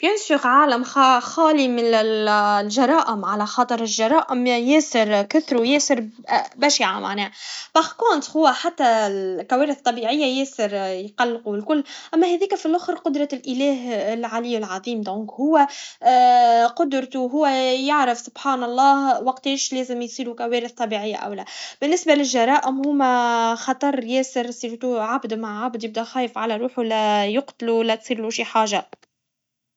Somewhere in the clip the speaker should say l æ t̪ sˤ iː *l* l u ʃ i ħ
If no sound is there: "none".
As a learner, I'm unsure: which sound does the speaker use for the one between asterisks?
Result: ɾ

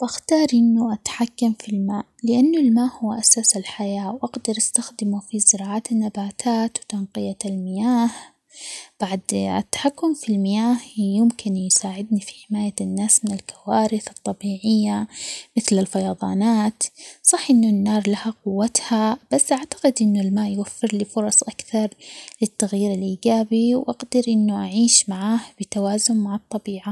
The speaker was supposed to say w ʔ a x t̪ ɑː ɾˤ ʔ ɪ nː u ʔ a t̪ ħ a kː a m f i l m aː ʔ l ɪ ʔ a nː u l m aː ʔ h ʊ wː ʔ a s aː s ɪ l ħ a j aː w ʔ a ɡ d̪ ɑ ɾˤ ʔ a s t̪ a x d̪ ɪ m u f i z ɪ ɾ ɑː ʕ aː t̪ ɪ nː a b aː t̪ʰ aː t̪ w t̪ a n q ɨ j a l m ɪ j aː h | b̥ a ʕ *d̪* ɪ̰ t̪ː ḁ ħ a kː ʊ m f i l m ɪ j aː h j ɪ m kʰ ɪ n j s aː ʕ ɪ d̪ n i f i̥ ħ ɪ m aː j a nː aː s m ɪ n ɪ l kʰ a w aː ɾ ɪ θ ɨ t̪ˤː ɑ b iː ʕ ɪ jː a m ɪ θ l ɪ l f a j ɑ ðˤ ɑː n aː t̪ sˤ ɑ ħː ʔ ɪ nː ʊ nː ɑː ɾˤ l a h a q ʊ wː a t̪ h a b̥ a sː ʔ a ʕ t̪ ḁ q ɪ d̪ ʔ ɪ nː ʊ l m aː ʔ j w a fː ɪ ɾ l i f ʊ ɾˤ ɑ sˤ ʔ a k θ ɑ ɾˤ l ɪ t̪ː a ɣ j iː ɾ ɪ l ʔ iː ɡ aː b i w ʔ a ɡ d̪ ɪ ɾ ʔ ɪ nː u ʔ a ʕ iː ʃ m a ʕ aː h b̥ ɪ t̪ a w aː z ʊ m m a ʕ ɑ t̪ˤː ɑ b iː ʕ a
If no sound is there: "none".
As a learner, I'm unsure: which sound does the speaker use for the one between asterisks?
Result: d̪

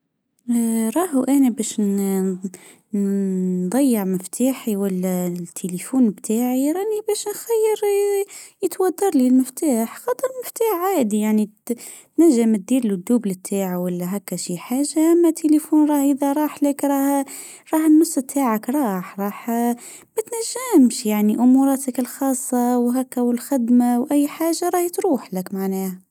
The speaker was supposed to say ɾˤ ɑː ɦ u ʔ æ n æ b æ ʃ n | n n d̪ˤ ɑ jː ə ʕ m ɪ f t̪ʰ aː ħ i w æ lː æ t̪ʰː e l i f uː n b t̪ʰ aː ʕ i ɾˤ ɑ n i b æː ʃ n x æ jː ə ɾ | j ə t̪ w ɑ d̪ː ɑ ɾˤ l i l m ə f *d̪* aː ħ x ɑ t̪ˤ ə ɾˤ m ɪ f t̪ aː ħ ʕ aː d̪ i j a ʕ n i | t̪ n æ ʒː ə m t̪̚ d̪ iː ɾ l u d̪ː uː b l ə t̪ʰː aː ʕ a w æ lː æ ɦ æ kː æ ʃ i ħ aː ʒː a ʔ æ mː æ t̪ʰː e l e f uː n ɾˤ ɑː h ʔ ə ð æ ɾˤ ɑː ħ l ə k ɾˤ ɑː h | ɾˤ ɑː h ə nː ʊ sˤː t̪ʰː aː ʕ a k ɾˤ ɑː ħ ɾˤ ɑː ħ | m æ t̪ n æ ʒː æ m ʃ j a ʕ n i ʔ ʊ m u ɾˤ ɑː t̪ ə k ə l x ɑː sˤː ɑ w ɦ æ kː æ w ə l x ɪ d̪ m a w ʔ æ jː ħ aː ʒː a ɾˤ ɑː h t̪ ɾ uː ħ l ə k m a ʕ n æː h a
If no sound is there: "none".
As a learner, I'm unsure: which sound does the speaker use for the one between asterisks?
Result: t̪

